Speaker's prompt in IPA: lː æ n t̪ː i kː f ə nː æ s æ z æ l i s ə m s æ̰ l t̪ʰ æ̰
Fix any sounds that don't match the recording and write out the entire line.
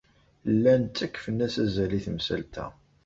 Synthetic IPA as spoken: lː æ n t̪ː æ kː f ə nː æ s æ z æ l i θ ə m s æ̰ l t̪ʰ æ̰